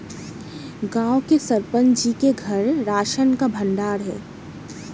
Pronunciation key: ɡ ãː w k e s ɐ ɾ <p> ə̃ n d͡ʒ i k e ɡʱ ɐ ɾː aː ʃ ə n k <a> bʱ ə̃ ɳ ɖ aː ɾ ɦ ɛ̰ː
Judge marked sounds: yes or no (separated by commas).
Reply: yes, yes